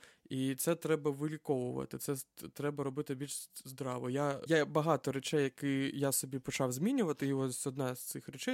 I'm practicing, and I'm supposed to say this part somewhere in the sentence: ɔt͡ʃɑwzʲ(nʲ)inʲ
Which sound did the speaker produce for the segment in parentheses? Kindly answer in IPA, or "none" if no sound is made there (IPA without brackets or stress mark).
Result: mʲ